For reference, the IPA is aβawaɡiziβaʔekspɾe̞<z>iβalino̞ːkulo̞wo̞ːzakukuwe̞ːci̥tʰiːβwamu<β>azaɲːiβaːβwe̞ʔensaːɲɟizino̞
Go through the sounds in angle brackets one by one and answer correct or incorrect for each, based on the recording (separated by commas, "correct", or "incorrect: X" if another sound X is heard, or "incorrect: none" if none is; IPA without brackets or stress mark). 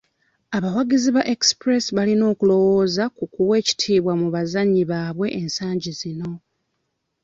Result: incorrect: s, correct